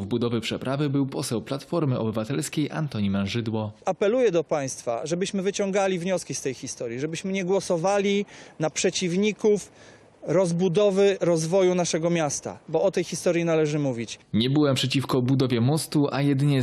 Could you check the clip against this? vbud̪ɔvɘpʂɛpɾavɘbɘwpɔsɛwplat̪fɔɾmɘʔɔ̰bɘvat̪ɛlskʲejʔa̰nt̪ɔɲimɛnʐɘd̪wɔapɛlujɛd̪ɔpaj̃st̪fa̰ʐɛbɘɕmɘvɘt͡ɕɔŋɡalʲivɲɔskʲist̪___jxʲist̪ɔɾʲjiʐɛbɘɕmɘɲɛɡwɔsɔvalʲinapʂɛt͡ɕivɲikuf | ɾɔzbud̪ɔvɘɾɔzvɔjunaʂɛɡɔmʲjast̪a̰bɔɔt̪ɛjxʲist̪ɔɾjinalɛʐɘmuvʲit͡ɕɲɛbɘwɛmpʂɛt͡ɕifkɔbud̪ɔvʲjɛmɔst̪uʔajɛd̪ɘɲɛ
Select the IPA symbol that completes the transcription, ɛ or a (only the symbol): ɛ